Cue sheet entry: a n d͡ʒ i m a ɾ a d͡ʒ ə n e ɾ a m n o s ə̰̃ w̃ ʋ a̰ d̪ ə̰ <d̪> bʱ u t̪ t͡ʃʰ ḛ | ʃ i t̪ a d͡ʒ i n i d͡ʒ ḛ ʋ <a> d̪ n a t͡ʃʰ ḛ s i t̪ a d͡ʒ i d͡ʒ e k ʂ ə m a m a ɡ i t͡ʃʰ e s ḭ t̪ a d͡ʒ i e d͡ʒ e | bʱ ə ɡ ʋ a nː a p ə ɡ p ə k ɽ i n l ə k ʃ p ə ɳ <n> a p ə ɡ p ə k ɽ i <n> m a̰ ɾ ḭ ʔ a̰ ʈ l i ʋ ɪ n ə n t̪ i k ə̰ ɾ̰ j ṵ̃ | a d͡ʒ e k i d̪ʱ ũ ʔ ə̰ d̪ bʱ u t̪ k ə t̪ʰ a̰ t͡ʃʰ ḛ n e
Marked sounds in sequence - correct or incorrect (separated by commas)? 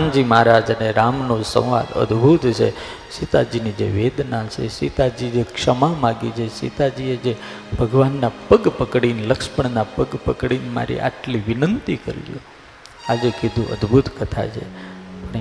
correct, incorrect, correct, correct